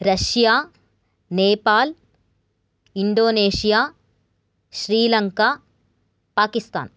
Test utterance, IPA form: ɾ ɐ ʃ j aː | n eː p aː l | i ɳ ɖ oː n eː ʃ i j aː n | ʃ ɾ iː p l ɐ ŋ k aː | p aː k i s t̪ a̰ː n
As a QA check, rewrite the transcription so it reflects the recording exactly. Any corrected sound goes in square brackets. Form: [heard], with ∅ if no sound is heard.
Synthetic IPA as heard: ɾ ɐ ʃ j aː | n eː p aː l | i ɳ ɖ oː n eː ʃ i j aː [∅] | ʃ ɾ iː [∅] l ɐ ŋ k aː | p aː k i s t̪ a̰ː n